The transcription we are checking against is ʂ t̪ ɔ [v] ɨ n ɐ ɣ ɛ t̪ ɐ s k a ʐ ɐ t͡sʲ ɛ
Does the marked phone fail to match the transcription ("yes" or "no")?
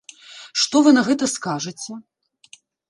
no